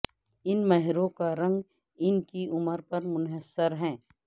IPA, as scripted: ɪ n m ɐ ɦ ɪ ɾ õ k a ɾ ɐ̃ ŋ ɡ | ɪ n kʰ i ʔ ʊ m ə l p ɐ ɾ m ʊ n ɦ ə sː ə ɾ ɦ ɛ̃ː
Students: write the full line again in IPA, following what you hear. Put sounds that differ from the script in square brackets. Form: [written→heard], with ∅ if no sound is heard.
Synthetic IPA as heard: ɪ n m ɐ ɦ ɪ ɾ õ k a ɾ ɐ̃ ŋ ɡ | ɪ n [kʰ→k] i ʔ ʊ m ə [l→ɾ] p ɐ ɾ m ʊ n ɦ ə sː ə ɾ ɦ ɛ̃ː